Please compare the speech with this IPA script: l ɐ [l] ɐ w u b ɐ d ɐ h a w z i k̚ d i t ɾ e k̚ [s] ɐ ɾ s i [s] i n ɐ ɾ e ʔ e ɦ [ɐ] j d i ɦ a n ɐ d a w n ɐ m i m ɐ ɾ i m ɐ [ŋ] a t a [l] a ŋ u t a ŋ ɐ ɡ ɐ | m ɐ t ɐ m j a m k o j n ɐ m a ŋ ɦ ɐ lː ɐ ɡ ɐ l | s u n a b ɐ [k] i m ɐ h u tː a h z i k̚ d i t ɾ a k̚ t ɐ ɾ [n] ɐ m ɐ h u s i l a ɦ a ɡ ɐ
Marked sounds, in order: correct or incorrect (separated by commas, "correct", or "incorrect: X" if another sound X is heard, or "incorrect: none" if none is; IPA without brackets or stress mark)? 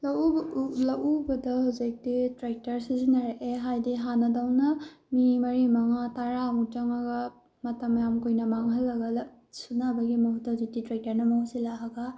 correct, incorrect: t, incorrect: z, incorrect: a, correct, incorrect: ɾ, incorrect: ɡ, correct